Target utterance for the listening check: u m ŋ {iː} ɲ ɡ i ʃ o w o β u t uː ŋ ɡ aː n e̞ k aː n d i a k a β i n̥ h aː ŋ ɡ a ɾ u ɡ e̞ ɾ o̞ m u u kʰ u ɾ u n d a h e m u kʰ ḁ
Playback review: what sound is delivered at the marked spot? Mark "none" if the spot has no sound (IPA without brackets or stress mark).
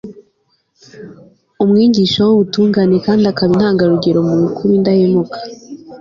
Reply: iː